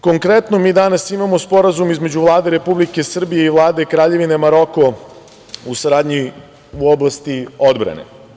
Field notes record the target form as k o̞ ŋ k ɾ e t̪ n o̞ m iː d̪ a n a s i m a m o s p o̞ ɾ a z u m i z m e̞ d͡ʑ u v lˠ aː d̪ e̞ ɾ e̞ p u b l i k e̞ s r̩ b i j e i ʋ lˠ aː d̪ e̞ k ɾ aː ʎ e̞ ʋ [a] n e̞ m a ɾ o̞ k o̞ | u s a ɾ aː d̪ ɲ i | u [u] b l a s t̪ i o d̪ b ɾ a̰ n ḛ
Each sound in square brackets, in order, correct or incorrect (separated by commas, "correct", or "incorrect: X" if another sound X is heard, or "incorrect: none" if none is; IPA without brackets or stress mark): incorrect: i, incorrect: o